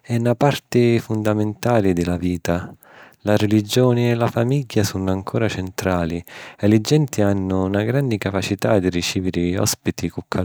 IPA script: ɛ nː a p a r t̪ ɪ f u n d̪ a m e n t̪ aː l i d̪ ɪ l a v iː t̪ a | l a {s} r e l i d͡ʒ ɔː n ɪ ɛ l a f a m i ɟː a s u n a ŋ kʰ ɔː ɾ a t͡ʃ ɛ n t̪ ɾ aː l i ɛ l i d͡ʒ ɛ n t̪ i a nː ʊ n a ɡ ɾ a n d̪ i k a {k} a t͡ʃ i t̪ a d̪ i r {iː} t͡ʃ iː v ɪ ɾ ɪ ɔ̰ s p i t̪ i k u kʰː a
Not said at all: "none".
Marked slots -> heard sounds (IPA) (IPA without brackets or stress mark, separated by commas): none, p, i